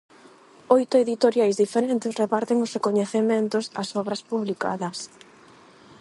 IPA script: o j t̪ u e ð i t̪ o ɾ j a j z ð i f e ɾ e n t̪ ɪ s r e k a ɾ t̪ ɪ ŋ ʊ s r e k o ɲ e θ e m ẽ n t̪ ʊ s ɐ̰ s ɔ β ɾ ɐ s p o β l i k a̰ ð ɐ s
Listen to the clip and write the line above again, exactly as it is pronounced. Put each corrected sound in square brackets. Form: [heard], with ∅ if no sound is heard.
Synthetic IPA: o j t̪ [ʊ] e ð i t̪ o ɾ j a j z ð i f e ɾ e n t̪ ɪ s r e [p] a ɾ t̪ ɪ ŋ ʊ s r e k o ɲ e θ e m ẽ n t̪ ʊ s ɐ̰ s ɔ β ɾ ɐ s p [u] β l i k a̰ ð ɐ s